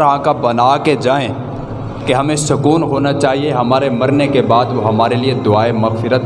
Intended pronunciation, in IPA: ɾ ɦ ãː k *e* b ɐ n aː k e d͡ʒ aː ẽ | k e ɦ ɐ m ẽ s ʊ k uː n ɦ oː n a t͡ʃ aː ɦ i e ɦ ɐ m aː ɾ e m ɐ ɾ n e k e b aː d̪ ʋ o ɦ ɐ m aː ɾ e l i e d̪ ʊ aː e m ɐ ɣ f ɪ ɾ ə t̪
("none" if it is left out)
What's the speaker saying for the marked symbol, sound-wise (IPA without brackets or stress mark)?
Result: a